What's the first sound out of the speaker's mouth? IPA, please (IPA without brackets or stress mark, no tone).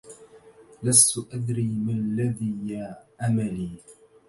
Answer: l